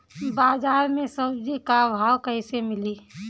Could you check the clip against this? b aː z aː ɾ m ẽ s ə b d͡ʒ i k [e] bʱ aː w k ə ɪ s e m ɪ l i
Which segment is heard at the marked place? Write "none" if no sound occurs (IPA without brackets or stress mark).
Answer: a